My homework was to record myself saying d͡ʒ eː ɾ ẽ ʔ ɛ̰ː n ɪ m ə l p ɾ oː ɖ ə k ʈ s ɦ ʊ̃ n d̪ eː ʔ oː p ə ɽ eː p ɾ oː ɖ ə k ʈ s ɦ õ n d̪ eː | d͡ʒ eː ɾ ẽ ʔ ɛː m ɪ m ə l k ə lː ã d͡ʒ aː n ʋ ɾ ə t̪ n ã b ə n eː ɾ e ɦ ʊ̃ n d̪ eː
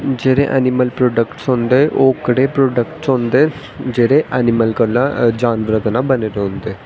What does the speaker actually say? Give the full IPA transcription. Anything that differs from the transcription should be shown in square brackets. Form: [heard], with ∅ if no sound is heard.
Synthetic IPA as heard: d͡ʒ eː ɾ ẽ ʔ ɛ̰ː n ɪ m ə l p ɾ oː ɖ ə k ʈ s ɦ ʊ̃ n d̪ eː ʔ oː [k] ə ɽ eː p ɾ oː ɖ ə k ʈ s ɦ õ n d̪ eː | d͡ʒ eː ɾ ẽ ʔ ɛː [n] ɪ m ə l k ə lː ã d͡ʒ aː n ʋ ɾ ə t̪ n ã b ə n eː ɾ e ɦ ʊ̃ n d̪ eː

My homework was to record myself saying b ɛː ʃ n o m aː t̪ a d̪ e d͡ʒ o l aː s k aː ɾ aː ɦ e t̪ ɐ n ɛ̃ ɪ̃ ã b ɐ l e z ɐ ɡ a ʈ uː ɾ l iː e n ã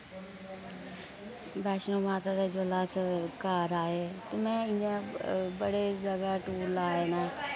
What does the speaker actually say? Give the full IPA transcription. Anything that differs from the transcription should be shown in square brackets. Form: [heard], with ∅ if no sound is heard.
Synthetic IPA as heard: b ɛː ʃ n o m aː t̪ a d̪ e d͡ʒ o l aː s k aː ɾ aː ɦ e t̪ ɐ [m] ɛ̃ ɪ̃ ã b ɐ [ɽ] e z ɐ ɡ a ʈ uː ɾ l [aː] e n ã

